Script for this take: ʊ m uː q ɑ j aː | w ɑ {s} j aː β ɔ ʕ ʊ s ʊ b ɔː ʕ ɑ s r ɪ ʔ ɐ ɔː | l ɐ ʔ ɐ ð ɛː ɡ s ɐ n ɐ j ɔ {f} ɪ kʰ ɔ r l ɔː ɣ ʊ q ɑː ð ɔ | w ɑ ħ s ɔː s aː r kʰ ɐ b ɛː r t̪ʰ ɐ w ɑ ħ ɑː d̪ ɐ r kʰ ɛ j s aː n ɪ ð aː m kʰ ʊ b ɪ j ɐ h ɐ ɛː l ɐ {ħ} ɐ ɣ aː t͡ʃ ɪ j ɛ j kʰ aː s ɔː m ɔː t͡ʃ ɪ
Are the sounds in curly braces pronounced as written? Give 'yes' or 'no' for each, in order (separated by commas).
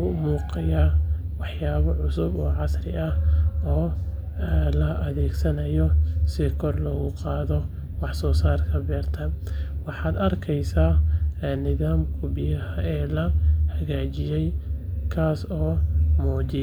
no, no, no